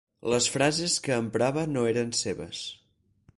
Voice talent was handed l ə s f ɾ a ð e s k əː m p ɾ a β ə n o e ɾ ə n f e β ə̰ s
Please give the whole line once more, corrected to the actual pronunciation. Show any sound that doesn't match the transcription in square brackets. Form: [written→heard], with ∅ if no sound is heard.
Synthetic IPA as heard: l ə s f ɾ a [ð→z] e s k əː m p ɾ a β ə n o e ɾ ə n [f→s] e β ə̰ s